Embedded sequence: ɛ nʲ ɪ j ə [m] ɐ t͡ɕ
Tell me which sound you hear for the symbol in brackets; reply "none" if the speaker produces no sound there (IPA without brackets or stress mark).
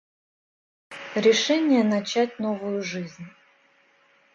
n